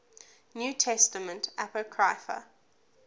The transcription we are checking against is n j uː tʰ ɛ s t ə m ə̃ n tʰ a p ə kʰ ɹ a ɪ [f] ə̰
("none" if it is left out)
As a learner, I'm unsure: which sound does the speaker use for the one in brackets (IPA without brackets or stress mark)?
f